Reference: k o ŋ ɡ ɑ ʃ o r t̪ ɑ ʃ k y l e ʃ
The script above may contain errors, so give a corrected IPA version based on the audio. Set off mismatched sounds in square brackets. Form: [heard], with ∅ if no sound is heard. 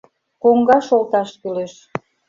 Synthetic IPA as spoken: k o ŋ ɡ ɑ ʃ o [l] t̪ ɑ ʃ k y l e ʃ